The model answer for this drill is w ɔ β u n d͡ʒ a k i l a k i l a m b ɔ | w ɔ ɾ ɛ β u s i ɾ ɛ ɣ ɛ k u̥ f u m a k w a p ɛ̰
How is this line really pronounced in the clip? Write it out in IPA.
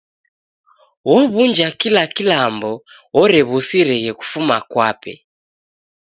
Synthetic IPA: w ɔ β u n d͡ʒ a k i l a k i l a m b ɔ | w ɔ ɾ ɛ β u s i ɾ ɛ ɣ ɛ k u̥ f u m a k w a p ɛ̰